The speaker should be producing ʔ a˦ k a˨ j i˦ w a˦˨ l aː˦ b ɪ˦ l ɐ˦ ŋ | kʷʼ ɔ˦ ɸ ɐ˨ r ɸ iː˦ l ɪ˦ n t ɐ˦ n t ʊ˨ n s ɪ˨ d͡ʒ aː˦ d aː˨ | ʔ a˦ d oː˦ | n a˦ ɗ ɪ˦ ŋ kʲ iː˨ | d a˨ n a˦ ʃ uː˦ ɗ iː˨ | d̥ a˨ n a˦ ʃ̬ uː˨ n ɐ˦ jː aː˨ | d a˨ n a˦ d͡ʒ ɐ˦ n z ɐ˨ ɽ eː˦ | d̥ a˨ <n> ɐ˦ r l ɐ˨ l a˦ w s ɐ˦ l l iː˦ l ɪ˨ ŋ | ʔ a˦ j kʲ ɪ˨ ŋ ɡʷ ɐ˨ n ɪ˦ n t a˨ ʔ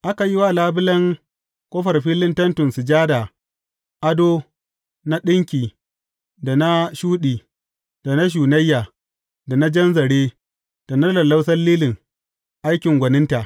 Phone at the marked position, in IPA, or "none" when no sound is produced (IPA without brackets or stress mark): n